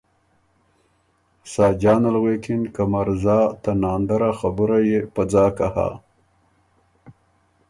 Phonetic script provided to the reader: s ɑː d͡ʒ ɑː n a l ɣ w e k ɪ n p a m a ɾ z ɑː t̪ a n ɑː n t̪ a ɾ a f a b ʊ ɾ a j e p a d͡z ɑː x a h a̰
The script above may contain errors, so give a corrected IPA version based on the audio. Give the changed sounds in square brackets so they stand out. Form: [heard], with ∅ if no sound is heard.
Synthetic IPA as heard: s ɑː d͡ʒ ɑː n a l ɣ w e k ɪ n [k] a m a ɾ z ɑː t̪ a n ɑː n [d̪] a ɾ a [x] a b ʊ ɾ a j e p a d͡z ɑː [k] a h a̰